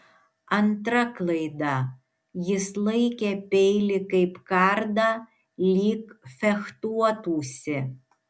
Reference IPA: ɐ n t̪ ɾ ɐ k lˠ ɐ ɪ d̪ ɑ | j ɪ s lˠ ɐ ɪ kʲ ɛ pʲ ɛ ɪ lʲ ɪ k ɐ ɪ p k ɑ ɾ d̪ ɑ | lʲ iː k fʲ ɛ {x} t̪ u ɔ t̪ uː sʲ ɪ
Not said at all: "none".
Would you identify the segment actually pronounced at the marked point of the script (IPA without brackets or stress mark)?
x